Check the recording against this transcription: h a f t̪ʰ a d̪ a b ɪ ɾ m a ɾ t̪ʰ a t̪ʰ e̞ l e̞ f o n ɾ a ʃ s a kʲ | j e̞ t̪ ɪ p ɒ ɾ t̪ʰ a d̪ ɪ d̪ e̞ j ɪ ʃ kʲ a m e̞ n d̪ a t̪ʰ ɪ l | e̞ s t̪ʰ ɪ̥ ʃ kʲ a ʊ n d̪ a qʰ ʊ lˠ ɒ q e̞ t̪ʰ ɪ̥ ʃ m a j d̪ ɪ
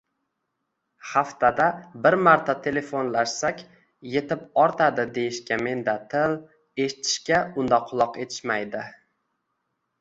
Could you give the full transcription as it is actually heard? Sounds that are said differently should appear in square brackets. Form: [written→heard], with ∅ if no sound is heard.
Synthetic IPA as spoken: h a f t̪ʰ a d̪ a b ɪ ɾ m a ɾ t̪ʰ a t̪ʰ e̞ l e̞ f o n [ɾ→l] a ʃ s a kʲ | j e̞ t̪ ɪ p ɒ ɾ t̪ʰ a d̪ ɪ d̪ e̞ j ɪ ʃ kʲ a m e̞ n d̪ a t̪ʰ ɪ l | e̞ [s→ʃ] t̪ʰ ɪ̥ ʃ kʲ a ʊ n d̪ a qʰ ʊ lˠ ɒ q e̞ t̪ʰ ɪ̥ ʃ m a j d̪ ɪ